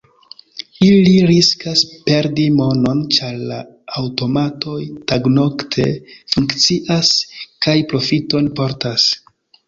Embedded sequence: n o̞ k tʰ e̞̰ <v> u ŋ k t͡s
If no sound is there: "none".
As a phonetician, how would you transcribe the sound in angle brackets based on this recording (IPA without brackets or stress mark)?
f